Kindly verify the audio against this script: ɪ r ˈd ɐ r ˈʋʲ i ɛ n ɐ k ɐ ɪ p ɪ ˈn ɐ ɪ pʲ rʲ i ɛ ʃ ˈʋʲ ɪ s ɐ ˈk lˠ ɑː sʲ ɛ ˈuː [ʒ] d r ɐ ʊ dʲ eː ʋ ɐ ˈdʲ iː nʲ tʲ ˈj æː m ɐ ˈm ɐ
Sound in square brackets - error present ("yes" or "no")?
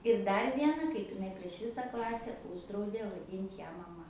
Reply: no